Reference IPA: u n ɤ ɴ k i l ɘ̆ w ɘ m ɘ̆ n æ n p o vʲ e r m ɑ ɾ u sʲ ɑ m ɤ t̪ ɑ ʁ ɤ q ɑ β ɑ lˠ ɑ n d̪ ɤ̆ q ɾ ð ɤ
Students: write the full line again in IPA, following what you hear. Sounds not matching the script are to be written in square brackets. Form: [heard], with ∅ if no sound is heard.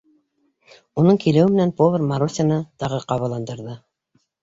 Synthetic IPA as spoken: u n ɤ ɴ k i l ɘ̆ w ɘ m ɘ̆ n æ n p o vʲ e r m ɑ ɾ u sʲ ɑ [n] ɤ t̪ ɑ ʁ ɤ q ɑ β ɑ lˠ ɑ n d̪ ɤ̆ [∅] ɾ ð ɤ